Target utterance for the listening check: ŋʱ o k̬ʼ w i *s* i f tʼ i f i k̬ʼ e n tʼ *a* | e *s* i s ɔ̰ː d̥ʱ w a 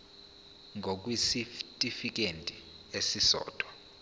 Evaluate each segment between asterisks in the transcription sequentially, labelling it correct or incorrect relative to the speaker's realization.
correct, incorrect, correct

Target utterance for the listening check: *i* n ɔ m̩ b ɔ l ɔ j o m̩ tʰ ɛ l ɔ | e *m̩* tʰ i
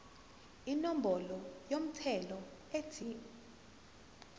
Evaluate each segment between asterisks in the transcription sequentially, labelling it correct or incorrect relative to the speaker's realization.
correct, incorrect

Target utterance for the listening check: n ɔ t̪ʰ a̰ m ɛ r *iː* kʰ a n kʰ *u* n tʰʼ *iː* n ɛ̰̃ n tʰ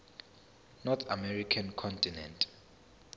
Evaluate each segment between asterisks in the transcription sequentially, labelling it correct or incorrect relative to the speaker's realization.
incorrect, incorrect, incorrect

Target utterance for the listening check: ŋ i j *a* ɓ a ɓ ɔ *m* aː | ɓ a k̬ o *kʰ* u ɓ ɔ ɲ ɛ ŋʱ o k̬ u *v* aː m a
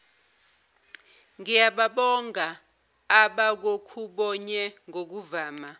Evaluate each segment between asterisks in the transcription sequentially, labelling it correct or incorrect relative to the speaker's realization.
correct, incorrect, correct, correct

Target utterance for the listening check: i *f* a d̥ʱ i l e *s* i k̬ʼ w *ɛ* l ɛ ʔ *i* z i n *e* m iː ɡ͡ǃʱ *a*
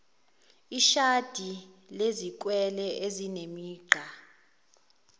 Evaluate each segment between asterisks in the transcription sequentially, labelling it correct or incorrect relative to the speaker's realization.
incorrect, incorrect, correct, incorrect, correct, correct

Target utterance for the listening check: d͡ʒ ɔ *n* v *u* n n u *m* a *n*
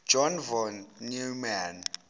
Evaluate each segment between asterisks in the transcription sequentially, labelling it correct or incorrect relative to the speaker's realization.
correct, incorrect, correct, correct

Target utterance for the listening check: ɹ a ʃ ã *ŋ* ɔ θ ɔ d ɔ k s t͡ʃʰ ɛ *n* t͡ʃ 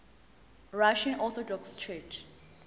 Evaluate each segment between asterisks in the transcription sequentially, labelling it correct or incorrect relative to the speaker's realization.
incorrect, incorrect

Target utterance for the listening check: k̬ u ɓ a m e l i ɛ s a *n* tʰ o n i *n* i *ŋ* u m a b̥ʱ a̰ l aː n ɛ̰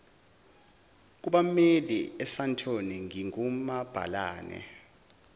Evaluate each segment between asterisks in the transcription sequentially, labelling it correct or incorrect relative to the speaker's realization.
correct, incorrect, correct

